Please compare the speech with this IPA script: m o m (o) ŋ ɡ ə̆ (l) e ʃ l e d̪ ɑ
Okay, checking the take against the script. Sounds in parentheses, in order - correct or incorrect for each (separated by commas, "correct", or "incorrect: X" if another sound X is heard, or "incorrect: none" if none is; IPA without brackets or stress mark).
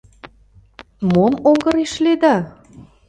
correct, incorrect: ɾ